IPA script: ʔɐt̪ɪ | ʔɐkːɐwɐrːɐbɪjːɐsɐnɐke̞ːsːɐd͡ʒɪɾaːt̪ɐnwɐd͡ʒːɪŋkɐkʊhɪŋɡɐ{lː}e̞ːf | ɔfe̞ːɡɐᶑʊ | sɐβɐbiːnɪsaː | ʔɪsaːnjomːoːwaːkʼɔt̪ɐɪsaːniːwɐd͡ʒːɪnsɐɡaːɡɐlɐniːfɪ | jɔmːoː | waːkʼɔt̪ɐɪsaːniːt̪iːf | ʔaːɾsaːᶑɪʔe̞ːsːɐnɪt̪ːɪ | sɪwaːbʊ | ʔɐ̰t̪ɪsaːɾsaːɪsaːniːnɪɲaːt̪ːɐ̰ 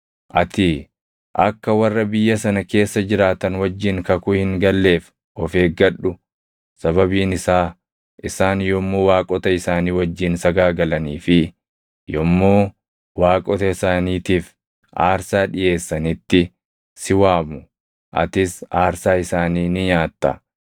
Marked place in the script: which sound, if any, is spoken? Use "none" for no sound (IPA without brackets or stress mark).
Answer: lː